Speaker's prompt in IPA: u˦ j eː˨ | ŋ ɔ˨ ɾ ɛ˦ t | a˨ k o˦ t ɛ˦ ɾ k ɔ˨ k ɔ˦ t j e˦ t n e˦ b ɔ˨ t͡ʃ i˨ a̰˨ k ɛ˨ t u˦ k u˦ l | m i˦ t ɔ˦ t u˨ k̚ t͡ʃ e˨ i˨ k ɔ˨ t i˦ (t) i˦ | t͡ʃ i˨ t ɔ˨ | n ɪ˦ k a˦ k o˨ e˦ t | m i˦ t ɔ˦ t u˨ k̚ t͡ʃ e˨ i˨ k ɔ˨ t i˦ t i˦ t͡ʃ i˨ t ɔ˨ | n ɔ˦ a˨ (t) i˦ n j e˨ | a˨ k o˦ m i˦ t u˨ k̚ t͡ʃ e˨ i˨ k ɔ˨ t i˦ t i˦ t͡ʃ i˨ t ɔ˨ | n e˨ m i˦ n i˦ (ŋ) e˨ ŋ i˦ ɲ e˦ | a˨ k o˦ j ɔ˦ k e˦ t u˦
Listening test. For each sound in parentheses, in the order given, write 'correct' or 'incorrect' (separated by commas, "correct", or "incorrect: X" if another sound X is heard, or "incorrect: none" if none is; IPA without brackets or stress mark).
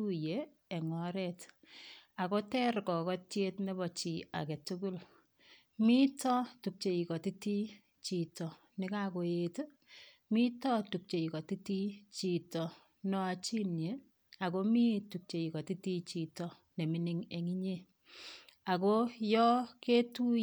correct, incorrect: t͡ʃ, correct